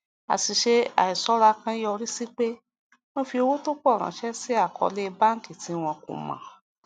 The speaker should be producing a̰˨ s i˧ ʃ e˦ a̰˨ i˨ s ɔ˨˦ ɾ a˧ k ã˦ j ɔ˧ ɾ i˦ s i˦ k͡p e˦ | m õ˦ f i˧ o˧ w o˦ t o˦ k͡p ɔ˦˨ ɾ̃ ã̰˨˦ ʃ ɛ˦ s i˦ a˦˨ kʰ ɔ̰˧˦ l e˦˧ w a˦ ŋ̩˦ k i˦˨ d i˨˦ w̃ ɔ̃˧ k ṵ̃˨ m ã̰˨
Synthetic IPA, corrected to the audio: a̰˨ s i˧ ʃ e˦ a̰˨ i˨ s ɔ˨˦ ɾ a˧ k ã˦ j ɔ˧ ɾ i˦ s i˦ k͡p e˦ | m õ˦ f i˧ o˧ w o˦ t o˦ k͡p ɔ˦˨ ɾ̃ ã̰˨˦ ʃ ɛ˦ s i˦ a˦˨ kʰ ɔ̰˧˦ l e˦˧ b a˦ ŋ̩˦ k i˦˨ t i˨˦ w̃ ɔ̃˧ k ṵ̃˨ m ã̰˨

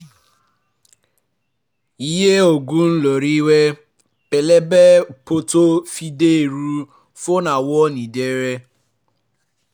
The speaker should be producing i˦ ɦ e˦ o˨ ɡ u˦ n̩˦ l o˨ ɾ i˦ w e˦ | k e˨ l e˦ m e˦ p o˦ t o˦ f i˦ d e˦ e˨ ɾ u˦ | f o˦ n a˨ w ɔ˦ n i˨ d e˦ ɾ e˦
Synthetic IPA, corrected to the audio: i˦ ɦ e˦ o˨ ɡ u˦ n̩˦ l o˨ ɾ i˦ w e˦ | p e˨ l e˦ b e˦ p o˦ t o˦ f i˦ d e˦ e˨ ɾ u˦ | f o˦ n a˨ w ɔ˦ n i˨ d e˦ ɾ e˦

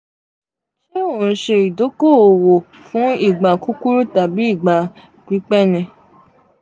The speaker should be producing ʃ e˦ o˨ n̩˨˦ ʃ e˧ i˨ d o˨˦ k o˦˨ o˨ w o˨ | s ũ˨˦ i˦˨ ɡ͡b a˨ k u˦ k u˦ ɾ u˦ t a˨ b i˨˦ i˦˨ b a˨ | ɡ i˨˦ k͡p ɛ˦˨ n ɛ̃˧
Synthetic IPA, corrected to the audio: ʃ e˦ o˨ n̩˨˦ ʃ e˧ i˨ d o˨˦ k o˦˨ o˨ w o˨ | f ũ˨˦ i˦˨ ɡ͡b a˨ k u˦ k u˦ ɾ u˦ t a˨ b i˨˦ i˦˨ ɡ͡b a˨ | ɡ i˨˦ k͡p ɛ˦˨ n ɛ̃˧

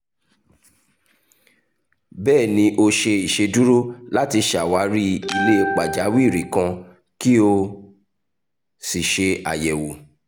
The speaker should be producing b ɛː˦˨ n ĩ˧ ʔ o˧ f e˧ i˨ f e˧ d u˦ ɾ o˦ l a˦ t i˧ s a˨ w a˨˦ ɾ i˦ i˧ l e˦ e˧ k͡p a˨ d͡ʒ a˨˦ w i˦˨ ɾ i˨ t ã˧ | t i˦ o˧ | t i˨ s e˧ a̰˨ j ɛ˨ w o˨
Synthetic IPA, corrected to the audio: b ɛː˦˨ n ĩ˧ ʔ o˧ ʃ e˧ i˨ ʃ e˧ d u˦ ɾ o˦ l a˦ t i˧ ʃ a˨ w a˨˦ ɾ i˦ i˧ l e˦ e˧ k͡p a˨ d͡ʒ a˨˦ w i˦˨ ɾ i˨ k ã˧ | k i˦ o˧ | s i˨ ʃ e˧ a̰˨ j ɛ˨ w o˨

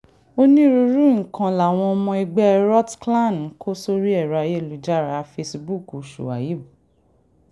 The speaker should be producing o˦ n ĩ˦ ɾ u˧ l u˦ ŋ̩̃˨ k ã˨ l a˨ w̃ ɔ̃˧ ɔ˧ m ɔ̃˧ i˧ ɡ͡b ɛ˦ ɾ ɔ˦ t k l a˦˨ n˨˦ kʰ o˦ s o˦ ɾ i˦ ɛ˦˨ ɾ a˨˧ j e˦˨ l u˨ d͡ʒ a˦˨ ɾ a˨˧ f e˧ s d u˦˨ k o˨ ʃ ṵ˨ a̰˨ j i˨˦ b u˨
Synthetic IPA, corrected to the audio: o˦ n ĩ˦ ɾ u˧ ɾ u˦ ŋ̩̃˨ k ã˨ l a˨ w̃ ɔ̃˧ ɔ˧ m ɔ̃˧ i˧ ɡ͡b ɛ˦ ɾ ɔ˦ t k l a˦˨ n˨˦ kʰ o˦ s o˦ ɾ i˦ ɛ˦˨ ɾ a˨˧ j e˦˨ l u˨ d͡ʒ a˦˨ ɾ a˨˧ f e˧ s b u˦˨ k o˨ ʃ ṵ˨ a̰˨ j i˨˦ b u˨

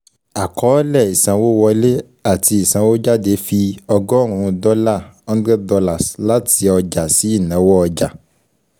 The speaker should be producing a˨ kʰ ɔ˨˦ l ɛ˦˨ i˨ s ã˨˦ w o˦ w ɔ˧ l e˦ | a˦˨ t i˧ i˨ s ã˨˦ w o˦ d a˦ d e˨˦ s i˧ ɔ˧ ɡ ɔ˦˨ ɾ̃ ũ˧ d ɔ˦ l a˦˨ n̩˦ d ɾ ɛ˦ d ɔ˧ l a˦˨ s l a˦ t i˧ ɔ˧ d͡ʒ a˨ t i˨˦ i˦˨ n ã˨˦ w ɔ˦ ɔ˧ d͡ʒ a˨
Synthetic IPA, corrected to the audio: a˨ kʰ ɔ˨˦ l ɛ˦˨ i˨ s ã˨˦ w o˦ w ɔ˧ l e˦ | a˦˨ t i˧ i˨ s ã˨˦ w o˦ d͡ʒ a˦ d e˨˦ f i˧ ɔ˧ ɡ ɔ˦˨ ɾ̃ ũ˧ d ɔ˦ l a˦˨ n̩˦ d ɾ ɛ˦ d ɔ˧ l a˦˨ s l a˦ t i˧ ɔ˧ d͡ʒ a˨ s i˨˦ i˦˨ n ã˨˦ w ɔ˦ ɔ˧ d͡ʒ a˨

